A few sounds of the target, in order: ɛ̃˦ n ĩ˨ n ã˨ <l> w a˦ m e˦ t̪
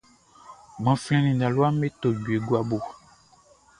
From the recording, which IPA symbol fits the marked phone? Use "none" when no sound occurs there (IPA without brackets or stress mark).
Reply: l